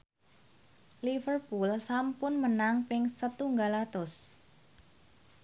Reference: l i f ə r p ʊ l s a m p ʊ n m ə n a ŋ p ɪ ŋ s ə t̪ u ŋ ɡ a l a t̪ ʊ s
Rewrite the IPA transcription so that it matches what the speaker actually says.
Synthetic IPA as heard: l i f ə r p u l s a m p ʊ n m ə n a ŋ p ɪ ŋ s ə t̪ u ŋ ɡ a l a t̪ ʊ s